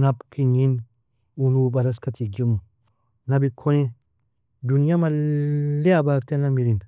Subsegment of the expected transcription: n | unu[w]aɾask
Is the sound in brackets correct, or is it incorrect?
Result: incorrect